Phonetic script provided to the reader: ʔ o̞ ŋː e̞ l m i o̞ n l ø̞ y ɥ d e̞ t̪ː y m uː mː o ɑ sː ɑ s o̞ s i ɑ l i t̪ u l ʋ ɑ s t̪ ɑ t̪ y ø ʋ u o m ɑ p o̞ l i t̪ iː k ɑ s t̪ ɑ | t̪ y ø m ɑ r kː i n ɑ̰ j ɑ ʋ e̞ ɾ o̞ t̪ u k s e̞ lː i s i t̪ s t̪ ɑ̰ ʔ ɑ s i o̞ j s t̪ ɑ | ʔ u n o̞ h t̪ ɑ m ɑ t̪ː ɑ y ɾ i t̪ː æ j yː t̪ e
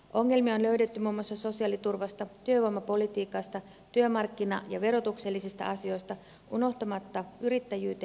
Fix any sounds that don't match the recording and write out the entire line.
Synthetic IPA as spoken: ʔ o̞ ŋː e̞ l m i o̞ n l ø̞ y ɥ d e̞ t̪ː y m uː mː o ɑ sː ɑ s o̞ s i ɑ l i t̪ u r ʋ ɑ s t̪ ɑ t̪ y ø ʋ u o m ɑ p o̞ l i t̪ iː k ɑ s t̪ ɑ | t̪ y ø m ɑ r kː i n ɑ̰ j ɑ ʋ e̞ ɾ o̞ t̪ u k s e̞ lː i s i s t̪ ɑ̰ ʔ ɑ s i o̞ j s t̪ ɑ | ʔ u n o̞ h t̪ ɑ m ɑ t̪ː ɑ y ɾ i t̪ː æ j yː t̪ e